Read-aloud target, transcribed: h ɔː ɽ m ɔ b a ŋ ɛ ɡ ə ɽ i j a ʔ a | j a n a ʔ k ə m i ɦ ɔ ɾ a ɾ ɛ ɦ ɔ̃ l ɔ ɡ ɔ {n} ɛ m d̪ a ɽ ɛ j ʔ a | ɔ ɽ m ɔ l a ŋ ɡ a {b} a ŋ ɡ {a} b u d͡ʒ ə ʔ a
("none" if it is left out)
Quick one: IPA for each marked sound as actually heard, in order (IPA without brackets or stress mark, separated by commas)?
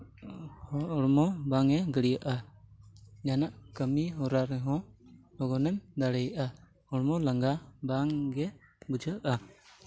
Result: n, b, ɛ